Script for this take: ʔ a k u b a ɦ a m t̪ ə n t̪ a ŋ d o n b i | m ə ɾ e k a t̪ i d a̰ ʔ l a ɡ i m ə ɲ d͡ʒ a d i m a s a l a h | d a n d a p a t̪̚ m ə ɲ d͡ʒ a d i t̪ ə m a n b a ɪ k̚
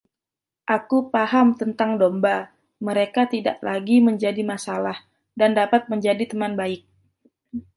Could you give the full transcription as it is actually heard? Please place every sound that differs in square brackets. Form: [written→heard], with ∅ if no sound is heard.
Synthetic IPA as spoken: ʔ a k u [b→p] a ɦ a m t̪ ə n t̪ a ŋ d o [n→m] b [i→a] | m ə ɾ e k a t̪ i d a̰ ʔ l a ɡ i m ə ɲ d͡ʒ a d i m a s a l a h | d a n d a p a t̪̚ m ə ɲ d͡ʒ a d i t̪ ə m a n b a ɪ k̚